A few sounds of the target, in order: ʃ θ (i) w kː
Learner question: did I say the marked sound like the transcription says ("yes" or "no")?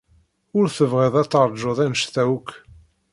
no